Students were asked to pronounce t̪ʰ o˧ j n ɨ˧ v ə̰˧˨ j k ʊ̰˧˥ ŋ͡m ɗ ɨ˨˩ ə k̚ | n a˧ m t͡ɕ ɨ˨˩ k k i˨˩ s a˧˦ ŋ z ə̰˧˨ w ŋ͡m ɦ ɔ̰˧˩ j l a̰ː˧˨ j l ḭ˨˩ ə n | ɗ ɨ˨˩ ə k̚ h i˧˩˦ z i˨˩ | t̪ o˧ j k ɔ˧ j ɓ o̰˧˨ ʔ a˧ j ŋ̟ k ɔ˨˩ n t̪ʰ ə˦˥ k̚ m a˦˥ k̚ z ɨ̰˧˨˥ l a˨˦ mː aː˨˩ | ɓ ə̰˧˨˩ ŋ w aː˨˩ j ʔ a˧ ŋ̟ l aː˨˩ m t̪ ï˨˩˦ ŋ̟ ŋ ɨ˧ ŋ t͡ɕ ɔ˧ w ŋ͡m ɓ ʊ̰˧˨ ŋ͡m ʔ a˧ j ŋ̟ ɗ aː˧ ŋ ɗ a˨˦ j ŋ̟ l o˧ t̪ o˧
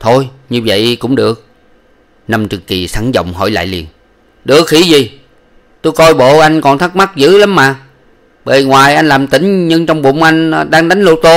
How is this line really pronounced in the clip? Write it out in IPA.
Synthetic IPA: t̪ʰ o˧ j ɲ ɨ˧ v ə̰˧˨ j k ʊ̰˧˥ ŋ͡m ɗ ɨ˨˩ ə k̚ | n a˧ m t͡ɕ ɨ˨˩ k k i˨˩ s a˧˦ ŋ z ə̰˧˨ w ŋ͡m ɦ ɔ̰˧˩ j l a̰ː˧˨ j l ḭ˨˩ ə n | ɗ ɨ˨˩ ə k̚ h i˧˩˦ z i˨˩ | t̪ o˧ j k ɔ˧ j ɓ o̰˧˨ ʔ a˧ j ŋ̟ k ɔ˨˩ n t̪ʰ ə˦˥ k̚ m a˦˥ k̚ z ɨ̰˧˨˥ l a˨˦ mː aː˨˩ | ɓ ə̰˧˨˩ ŋ w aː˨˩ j ʔ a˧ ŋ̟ l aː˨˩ m t̪ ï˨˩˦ ŋ̟ ɲ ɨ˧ ŋ t͡ɕ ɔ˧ w ŋ͡m ɓ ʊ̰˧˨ ŋ͡m ʔ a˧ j ŋ̟ ɗ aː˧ ŋ ɗ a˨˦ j ŋ̟ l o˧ t̪ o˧